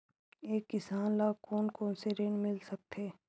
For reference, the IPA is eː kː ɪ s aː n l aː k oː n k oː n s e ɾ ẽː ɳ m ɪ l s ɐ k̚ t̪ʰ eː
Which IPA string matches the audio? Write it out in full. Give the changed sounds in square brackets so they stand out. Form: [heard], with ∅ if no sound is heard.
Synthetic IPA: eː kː ɪ s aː n l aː k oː n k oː n s e ɾ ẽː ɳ m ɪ l s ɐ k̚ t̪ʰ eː

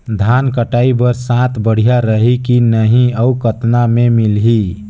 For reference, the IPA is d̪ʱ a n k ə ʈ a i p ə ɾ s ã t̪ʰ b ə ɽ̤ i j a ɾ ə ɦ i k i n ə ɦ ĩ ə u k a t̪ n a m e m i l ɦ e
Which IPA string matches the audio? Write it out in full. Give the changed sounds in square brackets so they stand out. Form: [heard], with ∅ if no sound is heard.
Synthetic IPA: d̪ʱ a n k ə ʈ a i [b] ə ɾ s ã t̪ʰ b ə ɽ̤ i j a ɾ ə ɦ i k i n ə ɦ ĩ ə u k [ə] t̪ n a m e m i l ɦ [i]

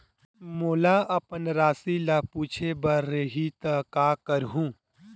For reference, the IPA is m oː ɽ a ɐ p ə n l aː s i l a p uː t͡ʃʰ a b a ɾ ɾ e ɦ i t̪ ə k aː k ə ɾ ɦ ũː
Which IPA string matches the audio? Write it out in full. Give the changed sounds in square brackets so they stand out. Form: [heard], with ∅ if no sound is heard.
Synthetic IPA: m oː [l] a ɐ p ə n [ɾ] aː s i l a p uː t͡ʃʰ [e] b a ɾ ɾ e ɦ i t̪ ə k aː k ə ɾ ɦ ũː

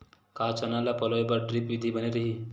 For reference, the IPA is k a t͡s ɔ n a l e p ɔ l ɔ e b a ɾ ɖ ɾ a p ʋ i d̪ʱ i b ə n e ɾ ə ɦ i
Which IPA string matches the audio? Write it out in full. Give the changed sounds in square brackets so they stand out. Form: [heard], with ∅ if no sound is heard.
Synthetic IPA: k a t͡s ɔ n a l [a] p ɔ l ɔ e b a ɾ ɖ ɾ [i] p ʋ i d̪ʱ i b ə n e ɾ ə ɦ i

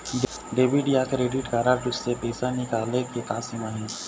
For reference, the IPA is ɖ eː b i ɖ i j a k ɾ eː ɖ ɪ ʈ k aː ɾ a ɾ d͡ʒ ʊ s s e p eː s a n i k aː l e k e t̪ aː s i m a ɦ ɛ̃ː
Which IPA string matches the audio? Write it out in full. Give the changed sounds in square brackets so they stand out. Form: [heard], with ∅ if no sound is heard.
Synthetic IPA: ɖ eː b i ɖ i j a k ɾ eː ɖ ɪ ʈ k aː ɾ a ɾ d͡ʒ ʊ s s e p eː s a n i k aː l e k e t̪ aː s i m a ɦ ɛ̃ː

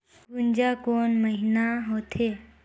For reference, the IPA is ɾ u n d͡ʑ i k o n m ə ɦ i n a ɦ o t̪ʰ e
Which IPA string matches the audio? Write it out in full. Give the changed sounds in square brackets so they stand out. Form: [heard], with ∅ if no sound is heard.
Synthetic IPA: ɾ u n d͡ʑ [a] k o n m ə ɦ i n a ɦ o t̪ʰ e

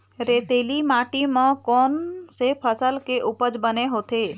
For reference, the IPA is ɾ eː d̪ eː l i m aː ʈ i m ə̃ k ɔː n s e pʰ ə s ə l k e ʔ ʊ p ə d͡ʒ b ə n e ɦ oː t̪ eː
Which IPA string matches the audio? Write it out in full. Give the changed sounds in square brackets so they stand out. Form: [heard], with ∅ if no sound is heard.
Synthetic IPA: ɾ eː [t̪] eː l i m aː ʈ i m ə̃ k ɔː n s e pʰ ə s ə l k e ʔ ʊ p ə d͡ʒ b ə n e ɦ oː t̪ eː

